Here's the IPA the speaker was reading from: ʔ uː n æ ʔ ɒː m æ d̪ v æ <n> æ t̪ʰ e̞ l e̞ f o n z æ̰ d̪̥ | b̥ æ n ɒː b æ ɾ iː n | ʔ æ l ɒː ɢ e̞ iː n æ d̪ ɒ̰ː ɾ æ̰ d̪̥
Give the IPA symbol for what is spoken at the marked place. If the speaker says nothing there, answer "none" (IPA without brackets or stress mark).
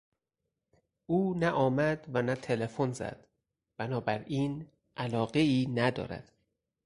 n